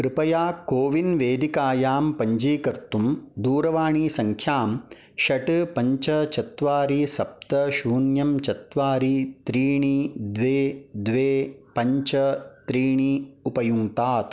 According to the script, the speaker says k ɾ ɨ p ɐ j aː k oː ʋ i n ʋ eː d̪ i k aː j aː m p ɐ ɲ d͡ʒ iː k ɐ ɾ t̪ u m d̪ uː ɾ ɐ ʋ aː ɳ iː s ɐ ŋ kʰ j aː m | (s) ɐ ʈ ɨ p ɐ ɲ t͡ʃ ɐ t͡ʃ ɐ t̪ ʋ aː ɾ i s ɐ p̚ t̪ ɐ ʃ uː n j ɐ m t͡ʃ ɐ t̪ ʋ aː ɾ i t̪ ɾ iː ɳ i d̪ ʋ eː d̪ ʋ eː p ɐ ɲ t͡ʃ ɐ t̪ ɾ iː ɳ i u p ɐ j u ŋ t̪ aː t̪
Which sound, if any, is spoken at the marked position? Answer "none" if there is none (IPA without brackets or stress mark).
ʃ